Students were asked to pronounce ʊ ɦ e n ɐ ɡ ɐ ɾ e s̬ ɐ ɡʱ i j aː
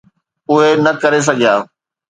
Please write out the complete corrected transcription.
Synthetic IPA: ʊ ɦ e n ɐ k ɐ ɾ e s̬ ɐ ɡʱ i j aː